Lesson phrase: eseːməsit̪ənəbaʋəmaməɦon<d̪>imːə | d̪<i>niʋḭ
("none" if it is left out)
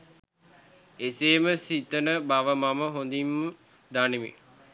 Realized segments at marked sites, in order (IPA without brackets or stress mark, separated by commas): d̪, a